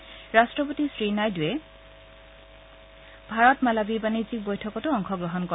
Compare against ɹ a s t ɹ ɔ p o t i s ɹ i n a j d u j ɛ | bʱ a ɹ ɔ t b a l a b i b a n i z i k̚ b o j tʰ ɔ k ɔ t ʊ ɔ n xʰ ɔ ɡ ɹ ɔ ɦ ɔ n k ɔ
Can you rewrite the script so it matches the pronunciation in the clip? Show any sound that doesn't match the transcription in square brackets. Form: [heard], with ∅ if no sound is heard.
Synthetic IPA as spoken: ɹ a s t ɹ ɔ p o t i s ɹ i n a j d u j ɛ | bʱ a ɹ ɔ t [m] a l a b i b a n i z i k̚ b o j tʰ ɔ k ɔ t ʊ ɔ [ŋ] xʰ ɔ ɡ ɹ ɔ ɦ ɔ n k ɔ